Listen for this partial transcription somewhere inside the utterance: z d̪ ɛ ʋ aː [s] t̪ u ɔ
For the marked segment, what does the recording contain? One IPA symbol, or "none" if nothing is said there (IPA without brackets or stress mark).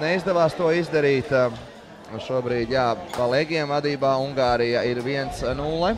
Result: s